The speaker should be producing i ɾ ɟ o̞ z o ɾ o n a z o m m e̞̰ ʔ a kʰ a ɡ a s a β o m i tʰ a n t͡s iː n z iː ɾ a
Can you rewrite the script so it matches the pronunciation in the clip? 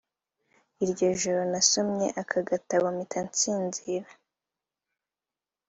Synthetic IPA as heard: i ɾ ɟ o̞ ʒ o ɾ o n a s o m ɲ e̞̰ ʔ a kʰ a ɡ a t a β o m i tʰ a n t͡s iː n z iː ɾ a